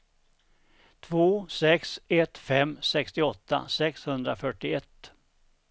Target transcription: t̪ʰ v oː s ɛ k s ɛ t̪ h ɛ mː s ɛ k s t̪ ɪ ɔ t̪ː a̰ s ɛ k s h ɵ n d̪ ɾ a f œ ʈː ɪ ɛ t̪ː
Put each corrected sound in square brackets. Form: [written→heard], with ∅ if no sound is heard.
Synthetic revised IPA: t̪ʰ v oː s ɛ k s ɛ t̪ [h→f] ɛ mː s ɛ k s t̪ ɪ ɔ t̪ː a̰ s ɛ k s h ɵ n d̪ ɾ a f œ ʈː ɪ ɛ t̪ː